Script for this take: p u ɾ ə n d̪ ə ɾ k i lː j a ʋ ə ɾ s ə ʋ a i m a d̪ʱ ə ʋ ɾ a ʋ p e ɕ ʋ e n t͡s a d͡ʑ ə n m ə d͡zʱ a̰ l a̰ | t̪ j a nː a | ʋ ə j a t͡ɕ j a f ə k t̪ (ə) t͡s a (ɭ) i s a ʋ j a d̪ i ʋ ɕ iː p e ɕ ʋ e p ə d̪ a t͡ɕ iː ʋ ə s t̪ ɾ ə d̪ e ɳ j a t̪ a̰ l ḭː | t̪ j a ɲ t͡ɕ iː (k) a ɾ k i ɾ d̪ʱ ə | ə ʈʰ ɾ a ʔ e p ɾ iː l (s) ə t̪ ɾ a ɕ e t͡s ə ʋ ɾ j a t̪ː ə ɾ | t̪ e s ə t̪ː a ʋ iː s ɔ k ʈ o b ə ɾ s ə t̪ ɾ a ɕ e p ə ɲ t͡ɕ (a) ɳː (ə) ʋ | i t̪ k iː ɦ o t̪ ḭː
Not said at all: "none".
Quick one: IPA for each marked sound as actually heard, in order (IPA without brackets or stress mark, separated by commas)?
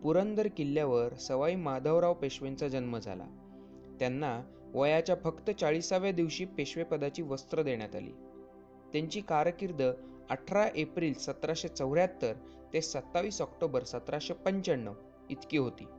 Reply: ə, ɭ, k, s, ə, ə